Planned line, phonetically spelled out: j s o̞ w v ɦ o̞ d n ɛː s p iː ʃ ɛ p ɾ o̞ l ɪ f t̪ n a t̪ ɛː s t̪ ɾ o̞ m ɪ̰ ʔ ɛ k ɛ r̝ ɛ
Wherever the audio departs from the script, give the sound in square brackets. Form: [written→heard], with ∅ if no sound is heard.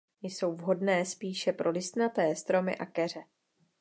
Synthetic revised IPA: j s o̞ w v ɦ o̞ d n ɛː s p iː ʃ ɛ p ɾ o̞ l ɪ [f→s] t̪ n a t̪ ɛː s t̪ ɾ o̞ m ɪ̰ ʔ [ɛ→a] k ɛ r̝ ɛ